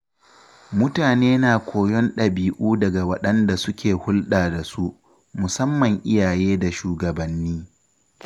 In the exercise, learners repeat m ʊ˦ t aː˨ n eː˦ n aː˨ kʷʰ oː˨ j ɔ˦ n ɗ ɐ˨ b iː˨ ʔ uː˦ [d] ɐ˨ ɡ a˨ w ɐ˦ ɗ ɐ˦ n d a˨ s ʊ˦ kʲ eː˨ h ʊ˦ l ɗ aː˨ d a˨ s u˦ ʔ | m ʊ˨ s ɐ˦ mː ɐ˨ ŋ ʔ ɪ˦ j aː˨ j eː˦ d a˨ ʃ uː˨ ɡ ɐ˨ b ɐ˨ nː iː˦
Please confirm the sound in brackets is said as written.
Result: yes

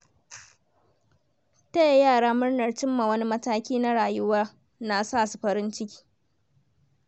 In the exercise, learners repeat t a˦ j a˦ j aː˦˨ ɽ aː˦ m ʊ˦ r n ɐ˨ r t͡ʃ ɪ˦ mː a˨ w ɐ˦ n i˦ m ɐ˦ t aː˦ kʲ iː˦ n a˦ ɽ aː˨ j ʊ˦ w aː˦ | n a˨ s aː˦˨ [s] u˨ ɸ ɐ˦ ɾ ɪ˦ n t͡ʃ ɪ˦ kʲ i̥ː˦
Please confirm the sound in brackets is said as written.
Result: yes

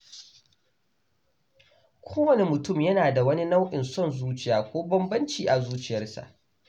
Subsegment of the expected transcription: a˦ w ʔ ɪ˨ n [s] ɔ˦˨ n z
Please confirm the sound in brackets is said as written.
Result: yes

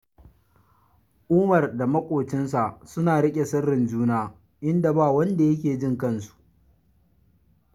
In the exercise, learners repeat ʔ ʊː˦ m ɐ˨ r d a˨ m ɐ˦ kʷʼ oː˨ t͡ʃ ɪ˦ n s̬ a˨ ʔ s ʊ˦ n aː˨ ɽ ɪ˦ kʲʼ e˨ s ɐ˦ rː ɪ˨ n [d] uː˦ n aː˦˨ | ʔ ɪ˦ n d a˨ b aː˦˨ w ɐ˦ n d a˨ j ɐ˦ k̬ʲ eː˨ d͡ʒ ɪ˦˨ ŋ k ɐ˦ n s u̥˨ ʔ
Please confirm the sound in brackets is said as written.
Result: no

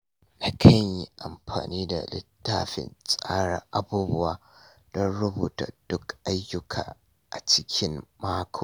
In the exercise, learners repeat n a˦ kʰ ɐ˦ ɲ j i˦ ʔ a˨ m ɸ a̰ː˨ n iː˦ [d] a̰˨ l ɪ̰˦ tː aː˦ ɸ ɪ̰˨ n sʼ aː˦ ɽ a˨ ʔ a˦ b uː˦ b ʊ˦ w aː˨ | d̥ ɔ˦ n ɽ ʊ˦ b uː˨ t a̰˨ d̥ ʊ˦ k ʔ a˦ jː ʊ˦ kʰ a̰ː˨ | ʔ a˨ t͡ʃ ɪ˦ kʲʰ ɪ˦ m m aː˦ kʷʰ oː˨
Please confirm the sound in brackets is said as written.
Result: yes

